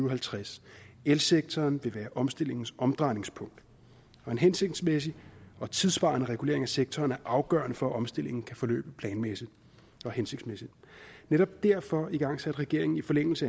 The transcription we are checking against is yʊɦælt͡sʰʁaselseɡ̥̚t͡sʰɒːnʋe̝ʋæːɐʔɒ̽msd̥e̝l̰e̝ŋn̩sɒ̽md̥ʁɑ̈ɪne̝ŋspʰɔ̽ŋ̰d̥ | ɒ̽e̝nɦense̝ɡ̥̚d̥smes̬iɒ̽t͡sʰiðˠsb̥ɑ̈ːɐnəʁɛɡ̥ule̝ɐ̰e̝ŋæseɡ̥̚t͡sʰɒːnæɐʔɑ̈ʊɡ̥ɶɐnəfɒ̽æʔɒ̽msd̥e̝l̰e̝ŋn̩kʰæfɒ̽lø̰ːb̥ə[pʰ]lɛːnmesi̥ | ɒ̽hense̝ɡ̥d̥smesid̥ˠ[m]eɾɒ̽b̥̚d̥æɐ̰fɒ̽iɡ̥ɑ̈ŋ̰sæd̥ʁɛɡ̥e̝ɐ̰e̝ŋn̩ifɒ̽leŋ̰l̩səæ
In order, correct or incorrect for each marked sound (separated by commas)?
correct, incorrect